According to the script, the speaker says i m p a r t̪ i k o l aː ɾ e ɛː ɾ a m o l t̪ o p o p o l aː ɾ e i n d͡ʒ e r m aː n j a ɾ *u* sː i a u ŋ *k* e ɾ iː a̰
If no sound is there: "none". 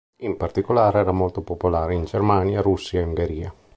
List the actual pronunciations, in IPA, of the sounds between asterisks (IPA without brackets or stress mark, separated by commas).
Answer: u, ɡ